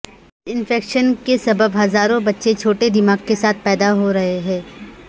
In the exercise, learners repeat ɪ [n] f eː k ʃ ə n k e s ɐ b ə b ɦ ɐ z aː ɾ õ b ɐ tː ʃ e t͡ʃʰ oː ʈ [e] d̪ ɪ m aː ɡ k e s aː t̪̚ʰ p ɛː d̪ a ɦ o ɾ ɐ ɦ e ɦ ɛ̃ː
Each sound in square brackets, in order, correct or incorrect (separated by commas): correct, correct